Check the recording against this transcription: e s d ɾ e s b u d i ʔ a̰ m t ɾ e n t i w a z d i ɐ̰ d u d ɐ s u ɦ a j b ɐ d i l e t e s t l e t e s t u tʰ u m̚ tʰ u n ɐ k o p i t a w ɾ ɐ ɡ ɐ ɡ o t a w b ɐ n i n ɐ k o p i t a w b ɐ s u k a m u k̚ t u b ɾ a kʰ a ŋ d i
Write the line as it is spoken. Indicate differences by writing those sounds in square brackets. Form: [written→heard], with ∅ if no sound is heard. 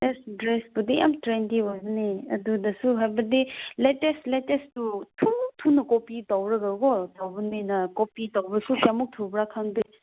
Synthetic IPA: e s d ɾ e s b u d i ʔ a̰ m t ɾ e n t i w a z [d→n] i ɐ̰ d u d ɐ s u ɦ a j b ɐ d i l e t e s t l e t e s t u tʰ u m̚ tʰ u n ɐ k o p i t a w ɾ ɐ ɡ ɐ ɡ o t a w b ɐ n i n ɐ k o p i t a w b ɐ s u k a m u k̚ [t→tʰ] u b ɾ a kʰ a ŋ d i